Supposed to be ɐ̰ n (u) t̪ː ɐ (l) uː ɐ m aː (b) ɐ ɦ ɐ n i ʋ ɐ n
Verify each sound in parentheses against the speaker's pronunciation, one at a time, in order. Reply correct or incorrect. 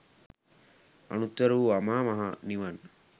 correct, incorrect, incorrect

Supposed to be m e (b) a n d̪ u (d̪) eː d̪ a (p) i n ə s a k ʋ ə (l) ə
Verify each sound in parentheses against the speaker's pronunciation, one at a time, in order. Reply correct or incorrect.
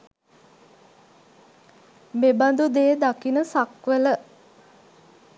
correct, correct, incorrect, correct

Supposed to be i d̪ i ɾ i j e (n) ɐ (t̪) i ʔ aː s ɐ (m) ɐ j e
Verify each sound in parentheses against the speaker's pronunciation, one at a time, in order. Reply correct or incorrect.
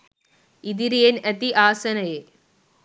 correct, correct, incorrect

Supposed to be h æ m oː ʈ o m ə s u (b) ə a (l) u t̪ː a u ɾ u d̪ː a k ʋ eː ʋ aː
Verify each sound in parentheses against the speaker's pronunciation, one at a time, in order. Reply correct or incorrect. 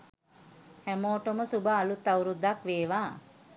correct, correct

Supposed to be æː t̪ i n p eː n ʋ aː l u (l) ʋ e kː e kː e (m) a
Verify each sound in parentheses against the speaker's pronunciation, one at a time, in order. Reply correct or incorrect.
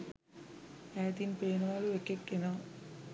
incorrect, incorrect

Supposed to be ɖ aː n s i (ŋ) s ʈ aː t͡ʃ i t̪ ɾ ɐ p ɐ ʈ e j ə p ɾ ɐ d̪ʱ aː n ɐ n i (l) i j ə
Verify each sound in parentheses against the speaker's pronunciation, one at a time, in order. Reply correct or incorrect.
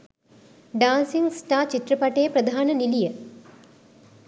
correct, correct

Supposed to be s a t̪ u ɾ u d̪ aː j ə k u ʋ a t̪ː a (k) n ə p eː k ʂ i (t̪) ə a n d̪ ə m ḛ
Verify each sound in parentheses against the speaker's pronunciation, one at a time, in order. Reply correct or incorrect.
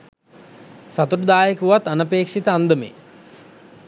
incorrect, correct

